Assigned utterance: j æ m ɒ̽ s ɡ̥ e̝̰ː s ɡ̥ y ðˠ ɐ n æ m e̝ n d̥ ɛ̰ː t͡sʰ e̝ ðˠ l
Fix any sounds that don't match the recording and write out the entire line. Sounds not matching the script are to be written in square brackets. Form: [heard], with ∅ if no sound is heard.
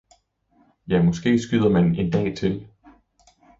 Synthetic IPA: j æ m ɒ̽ s ɡ̥ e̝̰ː s ɡ̥ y ðˠ ɐ [m] æ [n] e̝ n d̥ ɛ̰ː t͡sʰ e̝ [∅] l